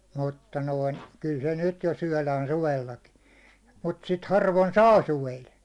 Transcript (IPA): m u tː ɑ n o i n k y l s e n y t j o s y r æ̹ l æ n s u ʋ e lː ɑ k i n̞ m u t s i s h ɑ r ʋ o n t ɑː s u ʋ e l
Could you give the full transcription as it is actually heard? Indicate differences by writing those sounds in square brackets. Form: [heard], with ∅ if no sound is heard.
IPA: m u tː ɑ n o i n k y l s e n y t j o s y [∅] æ̹ l [æː] n s u ʋ e lː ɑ k i n̞ m u t s i [t] h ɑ r ʋ o n [s] ɑː s u ʋ e l